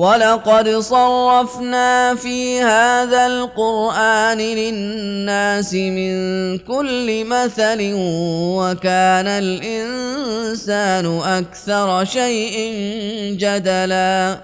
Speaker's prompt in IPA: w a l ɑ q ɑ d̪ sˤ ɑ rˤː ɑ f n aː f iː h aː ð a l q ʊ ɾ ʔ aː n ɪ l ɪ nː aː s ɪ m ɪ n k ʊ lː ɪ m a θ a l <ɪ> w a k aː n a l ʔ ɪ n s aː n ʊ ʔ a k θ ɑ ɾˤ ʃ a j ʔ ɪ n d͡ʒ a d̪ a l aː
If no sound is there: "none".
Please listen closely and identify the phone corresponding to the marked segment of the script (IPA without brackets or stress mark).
ɪ